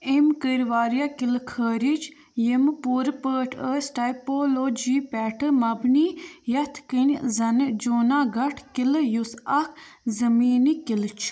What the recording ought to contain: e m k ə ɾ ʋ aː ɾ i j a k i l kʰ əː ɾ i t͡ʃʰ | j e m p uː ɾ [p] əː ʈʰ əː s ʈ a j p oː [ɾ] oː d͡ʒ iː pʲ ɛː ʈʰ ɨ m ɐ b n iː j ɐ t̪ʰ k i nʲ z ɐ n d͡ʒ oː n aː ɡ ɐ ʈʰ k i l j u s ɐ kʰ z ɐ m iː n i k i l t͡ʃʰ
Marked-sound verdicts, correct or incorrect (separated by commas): correct, incorrect